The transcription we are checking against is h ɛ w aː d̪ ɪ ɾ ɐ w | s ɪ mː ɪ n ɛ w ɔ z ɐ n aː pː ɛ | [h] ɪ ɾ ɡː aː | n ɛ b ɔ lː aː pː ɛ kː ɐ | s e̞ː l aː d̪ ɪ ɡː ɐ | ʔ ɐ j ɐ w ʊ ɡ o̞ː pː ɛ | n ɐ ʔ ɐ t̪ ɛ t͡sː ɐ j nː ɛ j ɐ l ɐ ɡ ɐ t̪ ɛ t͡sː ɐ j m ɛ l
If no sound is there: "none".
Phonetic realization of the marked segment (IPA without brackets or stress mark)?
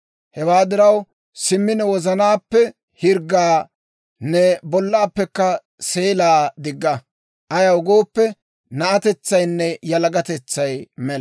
h